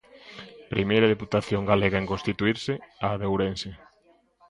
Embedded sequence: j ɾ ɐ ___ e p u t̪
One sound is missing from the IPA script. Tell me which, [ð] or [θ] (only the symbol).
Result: ð